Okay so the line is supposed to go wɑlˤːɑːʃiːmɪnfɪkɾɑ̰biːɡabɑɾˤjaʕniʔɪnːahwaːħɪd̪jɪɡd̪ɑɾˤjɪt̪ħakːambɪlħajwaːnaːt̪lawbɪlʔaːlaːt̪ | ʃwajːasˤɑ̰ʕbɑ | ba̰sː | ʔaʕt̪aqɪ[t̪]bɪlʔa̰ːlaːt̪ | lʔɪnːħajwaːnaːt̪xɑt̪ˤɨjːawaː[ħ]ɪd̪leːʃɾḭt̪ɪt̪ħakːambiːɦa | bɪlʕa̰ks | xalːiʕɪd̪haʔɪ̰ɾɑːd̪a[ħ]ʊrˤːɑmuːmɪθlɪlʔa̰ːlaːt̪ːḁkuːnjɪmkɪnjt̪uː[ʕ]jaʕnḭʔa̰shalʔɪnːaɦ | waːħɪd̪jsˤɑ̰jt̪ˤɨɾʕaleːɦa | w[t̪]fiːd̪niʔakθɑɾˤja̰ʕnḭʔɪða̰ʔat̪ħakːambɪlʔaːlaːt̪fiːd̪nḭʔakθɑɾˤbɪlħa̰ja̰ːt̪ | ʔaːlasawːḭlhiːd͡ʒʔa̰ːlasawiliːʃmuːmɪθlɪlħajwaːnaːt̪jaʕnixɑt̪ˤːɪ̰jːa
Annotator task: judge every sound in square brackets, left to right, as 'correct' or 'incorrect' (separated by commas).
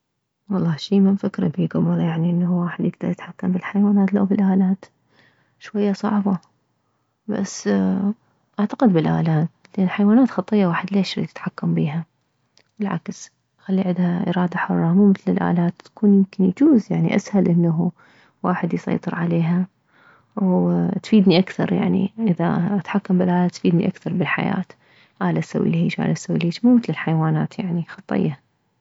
incorrect, correct, correct, incorrect, correct